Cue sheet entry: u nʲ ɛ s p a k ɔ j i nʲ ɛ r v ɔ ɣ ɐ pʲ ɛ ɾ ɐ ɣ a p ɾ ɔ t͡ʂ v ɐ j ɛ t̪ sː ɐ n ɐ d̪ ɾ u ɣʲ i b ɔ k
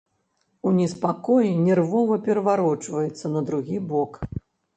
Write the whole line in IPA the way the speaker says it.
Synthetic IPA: u nʲ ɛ s p a k ɔ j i nʲ ɛ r v ɔ v ɐ pʲ ɛ ɾ ɐ v a ɾ ɔ t͡ʂ v ɐ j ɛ t̪ sː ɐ n ɐ d̪ ɾ u ɣʲ i b ɔ k